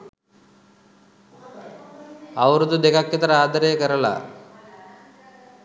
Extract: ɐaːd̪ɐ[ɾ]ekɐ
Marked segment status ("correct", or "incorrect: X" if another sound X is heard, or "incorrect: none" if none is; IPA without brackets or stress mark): correct